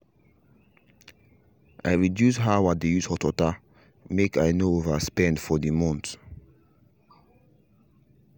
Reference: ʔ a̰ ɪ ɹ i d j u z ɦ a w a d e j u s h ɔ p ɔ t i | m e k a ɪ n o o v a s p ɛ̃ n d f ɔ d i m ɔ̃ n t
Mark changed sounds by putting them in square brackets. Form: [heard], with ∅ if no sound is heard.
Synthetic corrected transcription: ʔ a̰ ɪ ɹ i d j u [s] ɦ a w a d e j u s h ɔ [t] ɔ t [a] | m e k a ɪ n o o v a s p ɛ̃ n d f ɔ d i m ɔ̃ n t